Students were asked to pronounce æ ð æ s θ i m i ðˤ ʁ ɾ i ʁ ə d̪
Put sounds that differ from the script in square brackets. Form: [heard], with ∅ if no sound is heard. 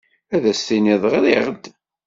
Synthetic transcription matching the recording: æ ð æ s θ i [n] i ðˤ ʁ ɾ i ʁ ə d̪